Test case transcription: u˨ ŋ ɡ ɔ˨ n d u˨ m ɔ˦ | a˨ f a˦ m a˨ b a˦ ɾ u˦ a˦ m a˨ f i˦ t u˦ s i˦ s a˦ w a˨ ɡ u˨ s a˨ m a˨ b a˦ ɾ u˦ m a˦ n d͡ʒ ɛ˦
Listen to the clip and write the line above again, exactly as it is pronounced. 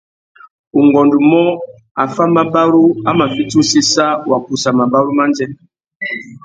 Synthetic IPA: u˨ ŋ ɡ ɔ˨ n d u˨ m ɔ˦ | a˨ f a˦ m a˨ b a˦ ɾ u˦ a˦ m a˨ f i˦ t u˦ s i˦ s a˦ w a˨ k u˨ s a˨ m a˨ b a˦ ɾ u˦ m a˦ n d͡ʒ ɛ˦